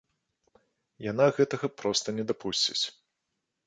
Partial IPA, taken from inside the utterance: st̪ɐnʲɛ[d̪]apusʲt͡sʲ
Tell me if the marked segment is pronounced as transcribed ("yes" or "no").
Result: yes